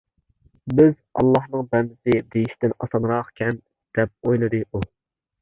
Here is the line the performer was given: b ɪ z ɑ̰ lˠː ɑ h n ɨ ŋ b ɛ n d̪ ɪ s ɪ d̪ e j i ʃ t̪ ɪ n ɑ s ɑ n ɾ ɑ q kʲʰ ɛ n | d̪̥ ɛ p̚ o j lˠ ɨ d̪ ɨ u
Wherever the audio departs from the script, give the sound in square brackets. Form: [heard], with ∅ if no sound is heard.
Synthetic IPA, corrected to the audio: b ɪ z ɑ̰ lˠː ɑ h n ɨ ŋ b ɛ n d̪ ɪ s ɪ d̪ e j i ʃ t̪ ɪ n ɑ s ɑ n ɾ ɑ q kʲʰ ɛ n | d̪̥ ɛ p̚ o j lˠ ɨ d̪ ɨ u